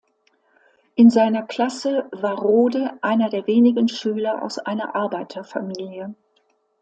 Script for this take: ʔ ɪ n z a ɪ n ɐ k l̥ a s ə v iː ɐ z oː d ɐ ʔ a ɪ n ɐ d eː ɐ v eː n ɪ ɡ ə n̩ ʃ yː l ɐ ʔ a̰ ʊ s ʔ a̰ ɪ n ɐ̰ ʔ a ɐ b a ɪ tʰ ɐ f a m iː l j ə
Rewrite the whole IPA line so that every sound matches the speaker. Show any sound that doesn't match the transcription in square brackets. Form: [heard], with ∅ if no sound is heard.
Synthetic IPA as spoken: ʔ ɪ n z a ɪ n ɐ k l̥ a s ə v [aː] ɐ [ʁ] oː d [ə] ʔ a ɪ n ɐ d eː ɐ v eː n ɪ ɡ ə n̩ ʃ yː l ɐ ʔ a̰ ʊ s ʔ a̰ ɪ n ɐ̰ ʔ a ɐ b a ɪ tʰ ɐ f a m iː l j ə